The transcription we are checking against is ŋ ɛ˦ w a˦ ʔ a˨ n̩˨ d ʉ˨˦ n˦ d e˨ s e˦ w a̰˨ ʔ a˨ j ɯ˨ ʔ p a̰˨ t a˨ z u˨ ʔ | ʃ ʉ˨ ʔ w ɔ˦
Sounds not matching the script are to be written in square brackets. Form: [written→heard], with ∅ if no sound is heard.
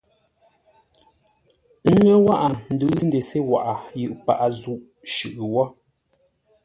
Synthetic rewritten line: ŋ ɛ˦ w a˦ ʔ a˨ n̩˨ d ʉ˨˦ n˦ d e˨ s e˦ w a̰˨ ʔ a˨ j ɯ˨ ʔ p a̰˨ [t→ʔ] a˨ z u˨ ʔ | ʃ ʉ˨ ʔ w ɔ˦